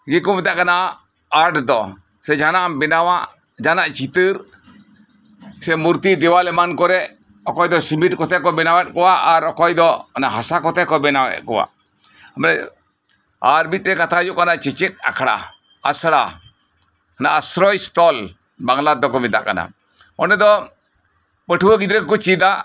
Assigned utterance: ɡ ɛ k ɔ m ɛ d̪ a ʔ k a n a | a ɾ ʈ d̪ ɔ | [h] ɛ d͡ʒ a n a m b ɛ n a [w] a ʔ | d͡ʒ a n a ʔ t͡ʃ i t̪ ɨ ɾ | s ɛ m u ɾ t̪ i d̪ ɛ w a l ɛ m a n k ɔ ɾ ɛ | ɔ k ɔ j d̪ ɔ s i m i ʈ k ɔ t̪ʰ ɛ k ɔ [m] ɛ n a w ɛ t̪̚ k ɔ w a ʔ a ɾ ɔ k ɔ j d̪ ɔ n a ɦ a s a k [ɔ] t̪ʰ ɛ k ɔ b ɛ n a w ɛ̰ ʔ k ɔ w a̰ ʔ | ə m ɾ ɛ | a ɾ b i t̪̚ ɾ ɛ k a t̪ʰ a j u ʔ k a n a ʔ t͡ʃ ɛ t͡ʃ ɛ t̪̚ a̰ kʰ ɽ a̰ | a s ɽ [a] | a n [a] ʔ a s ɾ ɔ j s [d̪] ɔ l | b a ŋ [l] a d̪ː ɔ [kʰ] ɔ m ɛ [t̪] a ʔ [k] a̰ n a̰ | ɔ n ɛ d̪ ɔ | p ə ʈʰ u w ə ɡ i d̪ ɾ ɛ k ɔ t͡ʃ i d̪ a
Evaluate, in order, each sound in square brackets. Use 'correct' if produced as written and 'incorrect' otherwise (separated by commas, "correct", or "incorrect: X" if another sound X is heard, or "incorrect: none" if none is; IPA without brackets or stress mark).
incorrect: s, correct, incorrect: b, correct, correct, correct, incorrect: t̪, correct, incorrect: k, incorrect: d̪, correct